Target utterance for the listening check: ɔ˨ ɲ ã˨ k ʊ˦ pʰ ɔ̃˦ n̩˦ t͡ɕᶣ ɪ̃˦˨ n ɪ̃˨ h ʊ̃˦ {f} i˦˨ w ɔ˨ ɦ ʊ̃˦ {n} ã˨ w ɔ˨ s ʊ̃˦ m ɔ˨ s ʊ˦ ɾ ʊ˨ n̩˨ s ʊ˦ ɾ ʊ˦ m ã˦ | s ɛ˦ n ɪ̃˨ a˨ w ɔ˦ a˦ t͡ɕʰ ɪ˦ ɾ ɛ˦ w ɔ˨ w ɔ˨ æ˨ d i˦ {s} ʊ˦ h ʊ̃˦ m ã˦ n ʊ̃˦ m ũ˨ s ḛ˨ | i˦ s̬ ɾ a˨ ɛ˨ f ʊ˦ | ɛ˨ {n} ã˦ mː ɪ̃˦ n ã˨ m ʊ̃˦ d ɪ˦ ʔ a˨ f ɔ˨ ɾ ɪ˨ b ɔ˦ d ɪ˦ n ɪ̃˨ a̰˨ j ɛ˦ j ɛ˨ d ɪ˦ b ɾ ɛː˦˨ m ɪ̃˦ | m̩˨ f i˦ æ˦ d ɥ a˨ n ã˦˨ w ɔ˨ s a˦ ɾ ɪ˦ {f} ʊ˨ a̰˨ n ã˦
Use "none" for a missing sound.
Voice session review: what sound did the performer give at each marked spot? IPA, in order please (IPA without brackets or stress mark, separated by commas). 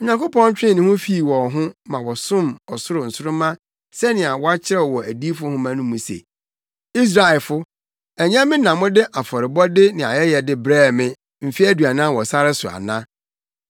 f, m, f, ɲ, s